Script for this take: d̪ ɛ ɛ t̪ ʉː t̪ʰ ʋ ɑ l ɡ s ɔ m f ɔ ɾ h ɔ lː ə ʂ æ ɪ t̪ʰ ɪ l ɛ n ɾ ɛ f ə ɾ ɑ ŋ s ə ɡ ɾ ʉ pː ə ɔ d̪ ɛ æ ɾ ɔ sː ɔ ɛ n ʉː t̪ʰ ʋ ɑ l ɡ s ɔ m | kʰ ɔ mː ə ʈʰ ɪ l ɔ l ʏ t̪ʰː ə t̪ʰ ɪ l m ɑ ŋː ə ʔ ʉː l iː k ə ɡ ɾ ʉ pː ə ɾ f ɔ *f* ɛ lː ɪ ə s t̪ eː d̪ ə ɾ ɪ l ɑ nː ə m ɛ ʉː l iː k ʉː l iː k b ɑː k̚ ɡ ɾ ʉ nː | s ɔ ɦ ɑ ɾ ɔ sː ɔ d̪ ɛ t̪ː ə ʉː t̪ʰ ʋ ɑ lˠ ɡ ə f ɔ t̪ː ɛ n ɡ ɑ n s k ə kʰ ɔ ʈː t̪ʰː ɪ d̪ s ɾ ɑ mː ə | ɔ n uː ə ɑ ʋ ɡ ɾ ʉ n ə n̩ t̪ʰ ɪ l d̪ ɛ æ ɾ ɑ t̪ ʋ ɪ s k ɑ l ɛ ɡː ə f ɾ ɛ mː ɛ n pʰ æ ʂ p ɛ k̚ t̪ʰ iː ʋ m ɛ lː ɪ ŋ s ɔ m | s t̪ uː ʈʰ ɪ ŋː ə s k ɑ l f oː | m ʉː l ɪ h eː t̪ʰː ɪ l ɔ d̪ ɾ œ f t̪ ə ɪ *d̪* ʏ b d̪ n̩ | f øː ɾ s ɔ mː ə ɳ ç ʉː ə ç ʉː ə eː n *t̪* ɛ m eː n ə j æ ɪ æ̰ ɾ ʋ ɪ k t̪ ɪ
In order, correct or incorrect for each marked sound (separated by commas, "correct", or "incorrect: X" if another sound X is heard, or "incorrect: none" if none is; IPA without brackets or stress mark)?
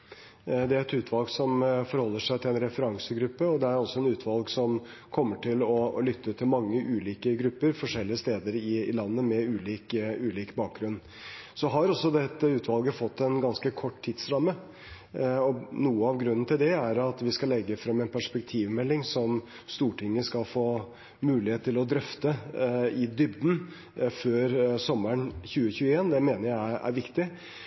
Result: incorrect: ʂ, correct, incorrect: d̪